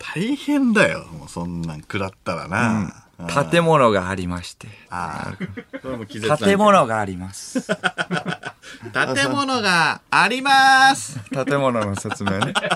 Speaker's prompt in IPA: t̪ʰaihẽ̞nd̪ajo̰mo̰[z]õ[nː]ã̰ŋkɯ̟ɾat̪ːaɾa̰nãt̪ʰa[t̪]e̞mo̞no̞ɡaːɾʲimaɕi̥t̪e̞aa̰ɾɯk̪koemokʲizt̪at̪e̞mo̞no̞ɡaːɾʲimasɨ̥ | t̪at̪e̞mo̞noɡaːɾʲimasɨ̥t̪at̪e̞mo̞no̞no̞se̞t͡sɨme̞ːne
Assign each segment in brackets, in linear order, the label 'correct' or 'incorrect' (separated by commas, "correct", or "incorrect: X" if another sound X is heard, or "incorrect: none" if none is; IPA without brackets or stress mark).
incorrect: s, correct, correct